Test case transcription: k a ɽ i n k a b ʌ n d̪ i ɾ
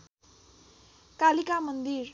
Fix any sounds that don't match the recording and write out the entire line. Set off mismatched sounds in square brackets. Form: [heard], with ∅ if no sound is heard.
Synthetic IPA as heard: k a [l] i [∅] k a [m] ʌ n d̪ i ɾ